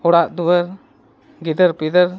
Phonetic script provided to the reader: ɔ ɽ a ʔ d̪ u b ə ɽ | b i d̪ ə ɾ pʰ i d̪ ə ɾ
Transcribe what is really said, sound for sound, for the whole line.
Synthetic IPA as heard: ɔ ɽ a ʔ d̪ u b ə ɾ | ɡ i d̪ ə ɾ p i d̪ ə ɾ